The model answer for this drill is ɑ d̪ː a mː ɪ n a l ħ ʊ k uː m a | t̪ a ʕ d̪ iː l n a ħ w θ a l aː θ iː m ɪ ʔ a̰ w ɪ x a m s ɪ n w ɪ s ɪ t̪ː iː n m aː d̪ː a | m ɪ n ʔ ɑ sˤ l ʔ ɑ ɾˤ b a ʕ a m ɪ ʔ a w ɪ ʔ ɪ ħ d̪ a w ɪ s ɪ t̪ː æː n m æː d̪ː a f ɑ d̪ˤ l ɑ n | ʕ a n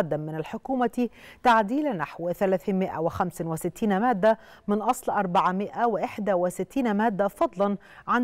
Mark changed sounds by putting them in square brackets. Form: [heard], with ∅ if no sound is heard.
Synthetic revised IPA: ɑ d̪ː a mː ɪ n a l ħ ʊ k uː m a | t̪ a ʕ d̪ iː l n a ħ w θ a l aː θ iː m ɪ ʔ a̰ w ɪ x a m s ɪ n w ɪ s ɪ t̪ː iː n m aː d̪ː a | m ɪ n ʔ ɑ sˤ l ʔ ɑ ɾˤ b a ʕ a m ɪ ʔ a w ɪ ʔ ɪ ħ d̪ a w ɪ s ɪ t̪ː [iː] n m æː d̪ː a f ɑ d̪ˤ l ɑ n | ʕ a n